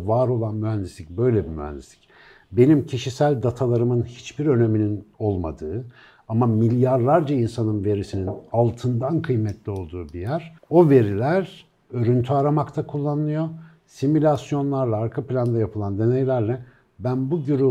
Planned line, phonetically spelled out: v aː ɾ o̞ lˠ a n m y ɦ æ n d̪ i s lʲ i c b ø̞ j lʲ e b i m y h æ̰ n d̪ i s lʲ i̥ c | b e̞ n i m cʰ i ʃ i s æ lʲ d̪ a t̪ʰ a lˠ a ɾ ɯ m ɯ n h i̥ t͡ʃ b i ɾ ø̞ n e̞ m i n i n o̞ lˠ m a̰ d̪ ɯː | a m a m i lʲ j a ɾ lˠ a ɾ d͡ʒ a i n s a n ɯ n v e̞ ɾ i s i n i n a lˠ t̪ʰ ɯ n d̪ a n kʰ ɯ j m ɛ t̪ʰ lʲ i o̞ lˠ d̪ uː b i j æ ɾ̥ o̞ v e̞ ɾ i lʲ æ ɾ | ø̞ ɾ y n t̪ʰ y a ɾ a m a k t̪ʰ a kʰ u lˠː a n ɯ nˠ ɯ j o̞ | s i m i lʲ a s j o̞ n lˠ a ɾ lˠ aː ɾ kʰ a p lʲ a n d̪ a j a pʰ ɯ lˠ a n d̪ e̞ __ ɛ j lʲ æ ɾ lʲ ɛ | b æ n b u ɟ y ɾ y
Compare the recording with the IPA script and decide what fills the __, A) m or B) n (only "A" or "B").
B